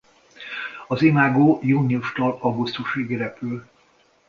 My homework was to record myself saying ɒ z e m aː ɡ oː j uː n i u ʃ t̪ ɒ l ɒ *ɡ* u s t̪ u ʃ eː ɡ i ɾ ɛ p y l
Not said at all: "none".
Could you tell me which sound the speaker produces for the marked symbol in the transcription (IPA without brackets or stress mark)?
ɡ